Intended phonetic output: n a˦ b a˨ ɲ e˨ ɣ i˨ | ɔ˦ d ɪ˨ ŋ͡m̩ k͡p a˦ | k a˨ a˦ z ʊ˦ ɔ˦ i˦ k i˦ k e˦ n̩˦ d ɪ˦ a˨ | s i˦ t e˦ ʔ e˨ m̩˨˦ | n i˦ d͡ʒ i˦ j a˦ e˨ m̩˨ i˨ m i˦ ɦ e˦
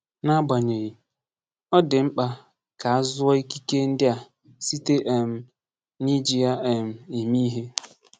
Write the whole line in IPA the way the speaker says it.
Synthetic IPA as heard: n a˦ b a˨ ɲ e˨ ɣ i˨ | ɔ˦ d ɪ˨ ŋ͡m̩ k͡p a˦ | k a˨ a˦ z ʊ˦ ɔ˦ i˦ k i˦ k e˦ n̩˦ d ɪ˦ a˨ | s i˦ t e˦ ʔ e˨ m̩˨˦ | n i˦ d͡ʒ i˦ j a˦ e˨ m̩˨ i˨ m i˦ ɦ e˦